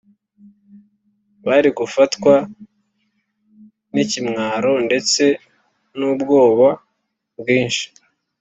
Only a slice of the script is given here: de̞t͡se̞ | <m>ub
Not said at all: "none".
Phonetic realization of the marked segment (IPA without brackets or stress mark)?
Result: n